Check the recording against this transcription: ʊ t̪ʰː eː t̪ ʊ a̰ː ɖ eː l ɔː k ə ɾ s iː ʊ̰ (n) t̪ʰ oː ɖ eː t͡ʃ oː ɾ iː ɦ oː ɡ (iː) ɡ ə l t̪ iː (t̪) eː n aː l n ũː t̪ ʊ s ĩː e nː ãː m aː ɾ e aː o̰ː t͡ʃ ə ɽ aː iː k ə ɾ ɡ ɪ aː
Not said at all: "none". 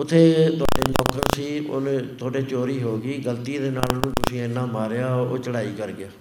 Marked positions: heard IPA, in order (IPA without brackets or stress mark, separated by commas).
n, iː, d̪